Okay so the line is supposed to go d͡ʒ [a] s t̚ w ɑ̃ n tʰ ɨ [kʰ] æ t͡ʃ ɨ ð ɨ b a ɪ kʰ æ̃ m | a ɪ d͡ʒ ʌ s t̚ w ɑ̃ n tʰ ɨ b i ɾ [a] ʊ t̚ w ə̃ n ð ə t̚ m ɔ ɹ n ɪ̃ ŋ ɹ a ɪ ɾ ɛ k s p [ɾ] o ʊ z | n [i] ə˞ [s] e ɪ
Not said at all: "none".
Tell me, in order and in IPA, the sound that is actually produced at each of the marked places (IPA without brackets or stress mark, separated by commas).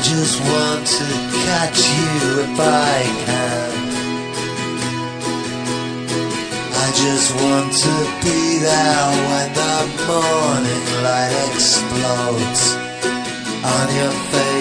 ʌ, kʰ, a, l, j, f